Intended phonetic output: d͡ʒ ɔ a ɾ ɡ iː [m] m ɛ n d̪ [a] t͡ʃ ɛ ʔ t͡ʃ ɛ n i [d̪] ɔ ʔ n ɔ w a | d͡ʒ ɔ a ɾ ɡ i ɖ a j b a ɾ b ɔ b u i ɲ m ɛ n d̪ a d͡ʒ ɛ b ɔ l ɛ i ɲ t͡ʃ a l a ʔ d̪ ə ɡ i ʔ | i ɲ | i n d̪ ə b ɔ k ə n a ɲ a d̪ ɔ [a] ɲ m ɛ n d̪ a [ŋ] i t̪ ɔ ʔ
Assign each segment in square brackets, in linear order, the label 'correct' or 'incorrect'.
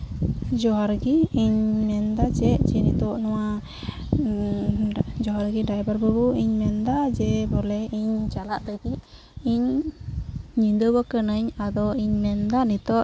incorrect: ɲ, correct, incorrect: t̪, incorrect: i, incorrect: n

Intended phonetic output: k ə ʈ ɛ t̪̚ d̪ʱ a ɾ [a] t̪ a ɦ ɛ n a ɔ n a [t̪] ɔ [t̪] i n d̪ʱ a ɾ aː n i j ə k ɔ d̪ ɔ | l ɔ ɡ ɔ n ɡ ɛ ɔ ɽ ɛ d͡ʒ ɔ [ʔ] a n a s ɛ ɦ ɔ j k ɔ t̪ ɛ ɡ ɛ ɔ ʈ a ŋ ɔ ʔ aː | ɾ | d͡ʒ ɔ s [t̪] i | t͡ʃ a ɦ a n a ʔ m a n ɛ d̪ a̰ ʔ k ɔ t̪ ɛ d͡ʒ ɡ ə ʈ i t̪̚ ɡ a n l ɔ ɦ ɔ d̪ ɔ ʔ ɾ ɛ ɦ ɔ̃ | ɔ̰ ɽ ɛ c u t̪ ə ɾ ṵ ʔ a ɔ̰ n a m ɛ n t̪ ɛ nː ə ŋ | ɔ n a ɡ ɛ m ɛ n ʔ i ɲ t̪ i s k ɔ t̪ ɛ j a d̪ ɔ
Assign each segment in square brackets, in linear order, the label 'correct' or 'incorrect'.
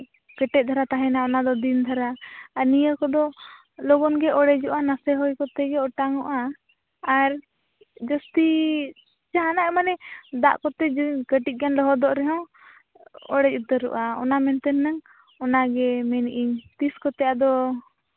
correct, incorrect: d̪, incorrect: d̪, correct, correct

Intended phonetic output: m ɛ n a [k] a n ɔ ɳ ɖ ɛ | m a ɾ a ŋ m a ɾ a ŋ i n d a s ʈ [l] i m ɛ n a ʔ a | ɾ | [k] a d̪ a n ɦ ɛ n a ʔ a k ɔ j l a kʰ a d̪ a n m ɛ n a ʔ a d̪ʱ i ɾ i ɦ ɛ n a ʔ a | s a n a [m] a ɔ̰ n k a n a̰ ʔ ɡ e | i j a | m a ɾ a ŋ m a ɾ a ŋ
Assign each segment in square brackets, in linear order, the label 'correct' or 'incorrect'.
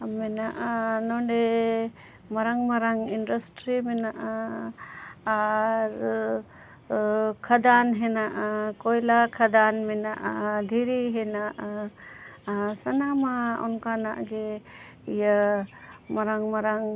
incorrect: ʔ, incorrect: ɾ, incorrect: kʰ, correct

